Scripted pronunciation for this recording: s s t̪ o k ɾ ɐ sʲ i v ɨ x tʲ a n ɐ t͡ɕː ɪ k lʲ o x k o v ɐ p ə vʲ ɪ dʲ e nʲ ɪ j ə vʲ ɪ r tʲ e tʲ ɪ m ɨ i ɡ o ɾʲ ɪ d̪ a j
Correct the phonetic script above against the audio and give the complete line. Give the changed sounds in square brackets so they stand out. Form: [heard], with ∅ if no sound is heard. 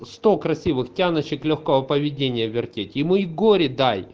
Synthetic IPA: s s t̪ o k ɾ ɐ sʲ i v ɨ x tʲ a n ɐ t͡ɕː ɪ k lʲ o x k o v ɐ p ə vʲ ɪ dʲ e nʲ ɪ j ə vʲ ɪ r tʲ e tʲ ɪ m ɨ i ɡ o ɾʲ ɪ d̪ a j